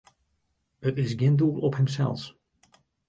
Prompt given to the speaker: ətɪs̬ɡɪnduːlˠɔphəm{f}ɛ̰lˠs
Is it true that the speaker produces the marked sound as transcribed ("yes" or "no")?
no